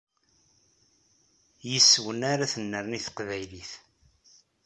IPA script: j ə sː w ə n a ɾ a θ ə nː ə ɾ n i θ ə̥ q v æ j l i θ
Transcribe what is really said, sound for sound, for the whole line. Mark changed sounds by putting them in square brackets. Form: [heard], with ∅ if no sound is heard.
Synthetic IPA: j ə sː w ə n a ɾ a θ ə nː ə ɾ n i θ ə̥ q v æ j l i θ